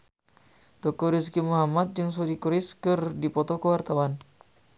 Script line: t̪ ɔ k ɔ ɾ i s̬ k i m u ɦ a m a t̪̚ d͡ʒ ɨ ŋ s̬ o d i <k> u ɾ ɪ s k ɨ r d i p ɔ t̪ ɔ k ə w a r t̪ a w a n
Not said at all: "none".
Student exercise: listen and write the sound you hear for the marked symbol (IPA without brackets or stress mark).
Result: k